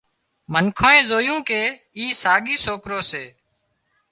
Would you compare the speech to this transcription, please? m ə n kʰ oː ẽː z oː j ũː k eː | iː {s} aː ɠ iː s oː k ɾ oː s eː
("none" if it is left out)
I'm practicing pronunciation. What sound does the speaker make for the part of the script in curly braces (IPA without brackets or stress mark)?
s